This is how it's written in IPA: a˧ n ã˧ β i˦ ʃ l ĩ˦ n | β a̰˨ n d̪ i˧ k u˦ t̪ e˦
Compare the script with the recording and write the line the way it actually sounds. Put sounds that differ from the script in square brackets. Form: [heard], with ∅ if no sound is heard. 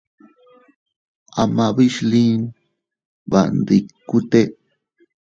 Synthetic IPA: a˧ [m] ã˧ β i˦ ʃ l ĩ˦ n | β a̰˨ n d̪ i˧ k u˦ t̪ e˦